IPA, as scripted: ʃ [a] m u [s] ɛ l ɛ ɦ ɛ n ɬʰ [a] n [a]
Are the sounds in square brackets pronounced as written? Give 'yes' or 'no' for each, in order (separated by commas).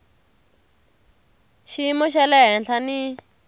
no, no, yes, no